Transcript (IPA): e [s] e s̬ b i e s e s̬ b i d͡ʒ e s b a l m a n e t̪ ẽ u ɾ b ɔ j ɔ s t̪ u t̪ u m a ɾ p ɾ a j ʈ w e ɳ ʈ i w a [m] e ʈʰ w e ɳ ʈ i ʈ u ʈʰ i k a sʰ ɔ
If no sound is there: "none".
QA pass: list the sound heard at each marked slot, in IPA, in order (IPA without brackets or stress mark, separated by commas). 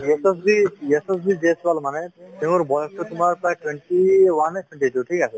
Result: s, n